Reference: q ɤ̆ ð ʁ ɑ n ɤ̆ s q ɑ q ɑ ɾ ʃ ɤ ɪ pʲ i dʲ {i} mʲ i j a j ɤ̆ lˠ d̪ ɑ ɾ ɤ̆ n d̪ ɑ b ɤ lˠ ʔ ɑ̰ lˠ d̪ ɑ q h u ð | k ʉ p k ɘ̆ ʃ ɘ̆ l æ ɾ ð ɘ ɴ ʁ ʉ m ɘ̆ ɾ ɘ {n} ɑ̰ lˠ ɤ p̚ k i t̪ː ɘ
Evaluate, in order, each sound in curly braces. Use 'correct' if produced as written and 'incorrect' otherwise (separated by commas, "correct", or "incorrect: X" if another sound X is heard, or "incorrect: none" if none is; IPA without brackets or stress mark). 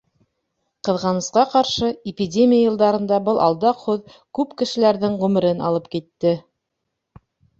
incorrect: e, correct